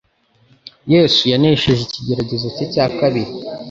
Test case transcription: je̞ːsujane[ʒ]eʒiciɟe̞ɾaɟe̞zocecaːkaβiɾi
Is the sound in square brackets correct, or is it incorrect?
incorrect